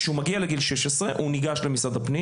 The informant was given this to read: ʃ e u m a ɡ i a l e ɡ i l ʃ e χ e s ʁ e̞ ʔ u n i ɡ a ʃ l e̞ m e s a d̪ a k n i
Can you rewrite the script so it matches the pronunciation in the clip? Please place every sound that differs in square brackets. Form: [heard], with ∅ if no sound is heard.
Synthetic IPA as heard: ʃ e u m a ɡ i a l e ɡ i l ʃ e [ʃ] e s ʁ e̞ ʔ u n i ɡ a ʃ l e̞ m [i] s a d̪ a [p] n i